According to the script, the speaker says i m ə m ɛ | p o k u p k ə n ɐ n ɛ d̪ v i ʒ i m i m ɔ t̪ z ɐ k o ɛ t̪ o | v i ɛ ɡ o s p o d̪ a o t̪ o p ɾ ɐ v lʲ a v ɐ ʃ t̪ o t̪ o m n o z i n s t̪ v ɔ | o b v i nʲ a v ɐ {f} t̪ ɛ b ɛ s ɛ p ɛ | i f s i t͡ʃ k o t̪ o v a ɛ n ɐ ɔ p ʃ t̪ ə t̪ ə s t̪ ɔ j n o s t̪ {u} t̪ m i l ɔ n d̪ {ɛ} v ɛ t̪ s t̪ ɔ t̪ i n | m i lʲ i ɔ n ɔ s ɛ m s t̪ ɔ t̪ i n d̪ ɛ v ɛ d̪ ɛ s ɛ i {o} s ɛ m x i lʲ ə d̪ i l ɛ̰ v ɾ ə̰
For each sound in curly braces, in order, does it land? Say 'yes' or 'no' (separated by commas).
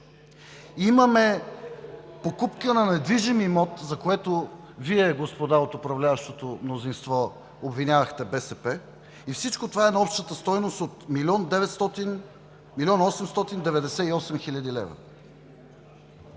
no, no, yes, no